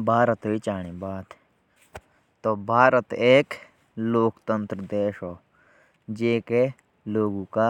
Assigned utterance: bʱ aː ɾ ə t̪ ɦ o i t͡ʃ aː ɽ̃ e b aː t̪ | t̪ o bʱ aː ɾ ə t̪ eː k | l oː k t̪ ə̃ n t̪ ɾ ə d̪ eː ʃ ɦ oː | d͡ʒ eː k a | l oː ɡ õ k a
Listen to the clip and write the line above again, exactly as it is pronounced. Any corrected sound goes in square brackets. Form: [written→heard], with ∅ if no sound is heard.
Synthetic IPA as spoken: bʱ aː ɾ ə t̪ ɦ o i t͡ʃ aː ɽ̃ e b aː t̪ | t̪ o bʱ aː ɾ ə t̪ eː k | l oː k t̪ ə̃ n t̪ ɾ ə d̪ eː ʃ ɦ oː | d͡ʒ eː k [a→e] | l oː ɡ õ k a

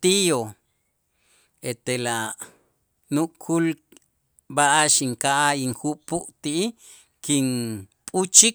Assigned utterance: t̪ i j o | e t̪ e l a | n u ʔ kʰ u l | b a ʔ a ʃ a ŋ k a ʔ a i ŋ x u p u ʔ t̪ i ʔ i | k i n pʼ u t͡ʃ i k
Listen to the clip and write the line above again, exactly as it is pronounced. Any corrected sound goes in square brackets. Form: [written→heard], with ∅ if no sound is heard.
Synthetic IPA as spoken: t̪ i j o | e t̪ e l a | n u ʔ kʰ u l | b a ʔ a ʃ [a→i] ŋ k a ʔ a i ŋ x u p u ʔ t̪ i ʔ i | k i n pʼ u t͡ʃ i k

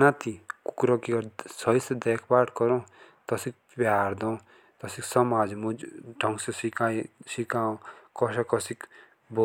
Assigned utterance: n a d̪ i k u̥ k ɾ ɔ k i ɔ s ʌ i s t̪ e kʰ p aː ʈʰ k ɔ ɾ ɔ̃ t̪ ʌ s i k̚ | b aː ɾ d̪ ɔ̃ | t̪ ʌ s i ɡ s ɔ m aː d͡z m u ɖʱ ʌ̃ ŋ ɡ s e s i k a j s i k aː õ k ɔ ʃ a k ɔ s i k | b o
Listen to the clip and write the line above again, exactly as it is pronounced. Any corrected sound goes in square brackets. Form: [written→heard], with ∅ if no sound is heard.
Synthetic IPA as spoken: n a [d̪→t̪] i k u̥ k ɾ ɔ k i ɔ s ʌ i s [t̪→d̪] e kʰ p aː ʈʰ k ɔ ɾ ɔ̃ t̪ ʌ s i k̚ | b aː ɾ d̪ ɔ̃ | t̪ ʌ s i [ɡ→k] s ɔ m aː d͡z m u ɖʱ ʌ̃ ŋ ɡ s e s i k a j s i k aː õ k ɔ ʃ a k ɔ s i k | b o

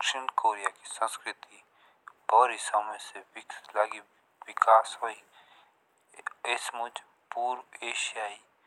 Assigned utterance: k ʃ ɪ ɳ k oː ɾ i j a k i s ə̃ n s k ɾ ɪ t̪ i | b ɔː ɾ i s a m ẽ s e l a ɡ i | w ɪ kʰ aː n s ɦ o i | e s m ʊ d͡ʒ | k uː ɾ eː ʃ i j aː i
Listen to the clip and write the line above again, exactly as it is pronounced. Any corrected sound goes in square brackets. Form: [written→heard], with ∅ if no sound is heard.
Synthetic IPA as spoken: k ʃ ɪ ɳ k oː ɾ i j a k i s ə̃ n s k ɾ ɪ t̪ i | b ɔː ɾ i s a m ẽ s e l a ɡ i | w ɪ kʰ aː [n→∅] s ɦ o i | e s m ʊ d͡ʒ | [k→p] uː ɾ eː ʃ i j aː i

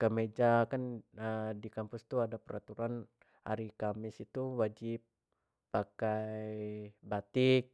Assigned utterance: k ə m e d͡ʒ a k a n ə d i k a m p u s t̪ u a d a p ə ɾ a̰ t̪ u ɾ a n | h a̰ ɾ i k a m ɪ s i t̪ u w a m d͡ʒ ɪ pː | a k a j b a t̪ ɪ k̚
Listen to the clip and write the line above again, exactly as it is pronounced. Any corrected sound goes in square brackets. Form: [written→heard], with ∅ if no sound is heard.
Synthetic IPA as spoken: k ə m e d͡ʒ a k a n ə d i k a m p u s t̪ u a d a p ə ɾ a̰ t̪ u ɾ a n | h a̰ ɾ i k a m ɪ s i t̪ u w a [m→∅] d͡ʒ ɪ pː | a k a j b a t̪ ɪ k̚

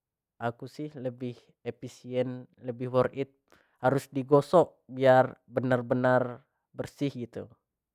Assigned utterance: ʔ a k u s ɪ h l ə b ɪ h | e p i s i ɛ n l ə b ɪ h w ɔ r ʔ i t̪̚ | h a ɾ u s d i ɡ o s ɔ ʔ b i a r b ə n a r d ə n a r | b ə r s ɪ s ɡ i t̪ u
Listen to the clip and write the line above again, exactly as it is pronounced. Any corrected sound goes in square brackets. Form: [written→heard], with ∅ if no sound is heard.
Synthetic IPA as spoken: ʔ a k u s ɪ h l ə b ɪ h | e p i s i ɛ n l ə b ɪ h w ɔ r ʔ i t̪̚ | h a ɾ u s d i ɡ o s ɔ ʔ b i a r b ə n a r [d→b] ə n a r | b ə r s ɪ [s→h] ɡ i t̪ u

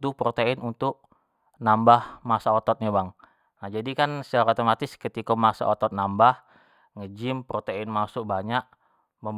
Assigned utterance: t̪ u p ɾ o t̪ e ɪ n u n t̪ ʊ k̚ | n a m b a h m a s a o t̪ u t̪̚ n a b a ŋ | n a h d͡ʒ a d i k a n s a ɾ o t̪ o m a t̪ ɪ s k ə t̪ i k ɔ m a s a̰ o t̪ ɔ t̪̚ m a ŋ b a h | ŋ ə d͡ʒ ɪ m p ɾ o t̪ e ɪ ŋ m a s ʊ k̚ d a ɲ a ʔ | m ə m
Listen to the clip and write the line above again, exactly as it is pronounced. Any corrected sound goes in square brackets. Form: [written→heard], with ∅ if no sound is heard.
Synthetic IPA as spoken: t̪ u p ɾ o t̪ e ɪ n u n t̪ ʊ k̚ | n a m b a h m a s a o t̪ [u→ɔ] t̪̚ [n→ɲ] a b a ŋ | n a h d͡ʒ a d i k a n s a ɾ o t̪ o m a t̪ ɪ s k ə t̪ i k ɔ m a s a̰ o t̪ ɔ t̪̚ [m→n] a [ŋ→m] b a h | ŋ ə d͡ʒ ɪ m p ɾ o t̪ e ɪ [ŋ→n] m a s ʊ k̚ [d→b] a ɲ a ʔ | m ə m

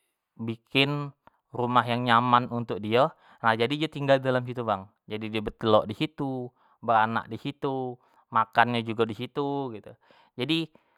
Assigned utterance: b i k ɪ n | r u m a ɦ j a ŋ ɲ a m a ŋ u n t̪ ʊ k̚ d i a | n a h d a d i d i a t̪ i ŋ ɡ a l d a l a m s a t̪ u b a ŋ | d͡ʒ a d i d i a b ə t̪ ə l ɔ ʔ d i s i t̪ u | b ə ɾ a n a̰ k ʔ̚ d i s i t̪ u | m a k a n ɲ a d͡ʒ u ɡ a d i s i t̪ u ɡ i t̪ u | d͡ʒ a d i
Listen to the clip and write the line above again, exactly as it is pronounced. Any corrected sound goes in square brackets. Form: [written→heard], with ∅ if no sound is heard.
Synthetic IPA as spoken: b i k ɪ n | r u m a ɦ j a ŋ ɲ a m a [ŋ→n] u n t̪ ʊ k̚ d i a | n a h [d→d͡ʒ] a d i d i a t̪ i ŋ ɡ a l d a l a m s [a→i] t̪ u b a ŋ | d͡ʒ a d i d i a b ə t̪ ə l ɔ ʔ d i s i t̪ u | b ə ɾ a n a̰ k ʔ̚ d i s i t̪ u | m a k a n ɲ a d͡ʒ u ɡ a d i s i t̪ u ɡ i t̪ u | d͡ʒ a d i

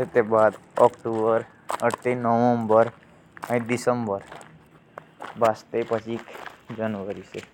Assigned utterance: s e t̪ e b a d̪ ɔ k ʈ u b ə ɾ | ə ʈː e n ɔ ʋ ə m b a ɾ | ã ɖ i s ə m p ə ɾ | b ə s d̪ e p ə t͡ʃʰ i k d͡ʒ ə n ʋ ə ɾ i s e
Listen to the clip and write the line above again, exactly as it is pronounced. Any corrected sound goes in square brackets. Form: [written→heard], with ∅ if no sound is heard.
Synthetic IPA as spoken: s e t̪ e b a d̪ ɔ k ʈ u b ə ɾ | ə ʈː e n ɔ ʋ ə m b [a→ə] ɾ | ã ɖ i s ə m [p→b] ə ɾ | b [ə→a] s [d̪→t̪] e p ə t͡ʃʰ i k d͡ʒ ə n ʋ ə ɾ i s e

